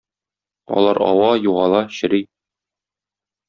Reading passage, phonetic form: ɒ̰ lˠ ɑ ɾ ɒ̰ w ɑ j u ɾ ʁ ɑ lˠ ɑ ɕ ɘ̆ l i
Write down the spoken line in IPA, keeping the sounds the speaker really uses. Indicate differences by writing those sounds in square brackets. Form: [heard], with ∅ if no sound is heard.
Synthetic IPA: ɒ̰ lˠ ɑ ɾ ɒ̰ w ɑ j u [∅] ʁ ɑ lˠ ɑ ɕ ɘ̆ [ɾ] i